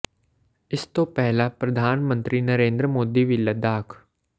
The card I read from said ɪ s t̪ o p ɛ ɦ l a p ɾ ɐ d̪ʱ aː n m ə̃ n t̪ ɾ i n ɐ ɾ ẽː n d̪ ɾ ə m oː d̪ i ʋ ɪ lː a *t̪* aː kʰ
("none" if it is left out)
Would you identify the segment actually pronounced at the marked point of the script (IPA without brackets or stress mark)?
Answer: d̪